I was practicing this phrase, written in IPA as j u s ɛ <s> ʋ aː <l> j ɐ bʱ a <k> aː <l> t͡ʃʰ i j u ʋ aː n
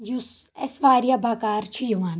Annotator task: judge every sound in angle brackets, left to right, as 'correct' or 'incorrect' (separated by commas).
correct, incorrect, correct, incorrect